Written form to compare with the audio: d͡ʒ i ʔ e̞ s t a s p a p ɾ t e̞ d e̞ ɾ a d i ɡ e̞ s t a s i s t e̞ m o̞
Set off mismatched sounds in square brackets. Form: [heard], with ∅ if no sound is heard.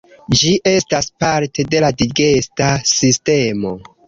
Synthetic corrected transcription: d͡ʒ i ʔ e̞ s t a s p a [∅] ɾ t e̞ d e̞ [l] a d i ɡ e̞ s t a s i s t e̞ m o̞